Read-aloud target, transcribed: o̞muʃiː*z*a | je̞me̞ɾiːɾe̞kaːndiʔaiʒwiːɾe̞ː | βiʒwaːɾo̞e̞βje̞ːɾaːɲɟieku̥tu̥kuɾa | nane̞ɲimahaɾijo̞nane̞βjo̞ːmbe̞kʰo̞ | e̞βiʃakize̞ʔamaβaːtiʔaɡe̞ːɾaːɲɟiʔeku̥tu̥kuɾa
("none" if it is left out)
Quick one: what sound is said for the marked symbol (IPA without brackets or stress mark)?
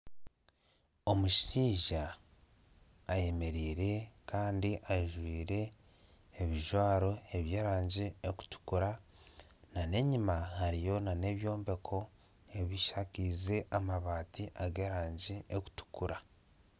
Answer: ʒ